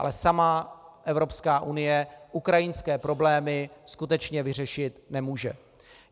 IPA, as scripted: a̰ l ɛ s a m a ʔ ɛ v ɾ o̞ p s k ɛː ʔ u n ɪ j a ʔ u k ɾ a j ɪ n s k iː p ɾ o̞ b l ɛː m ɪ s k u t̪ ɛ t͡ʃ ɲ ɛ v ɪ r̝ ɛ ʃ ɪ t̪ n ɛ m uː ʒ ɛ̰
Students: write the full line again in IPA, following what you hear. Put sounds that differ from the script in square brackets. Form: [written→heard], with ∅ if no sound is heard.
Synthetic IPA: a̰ l ɛ s a m a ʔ ɛ v ɾ o̞ p s k [ɛː→aː] ʔ u n ɪ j [a→ɛ] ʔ u k ɾ a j ɪ n s k [iː→ɛː] p ɾ o̞ b l ɛː m ɪ s k u t̪ ɛ t͡ʃ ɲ ɛ v ɪ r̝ ɛ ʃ ɪ t̪ n ɛ m uː ʒ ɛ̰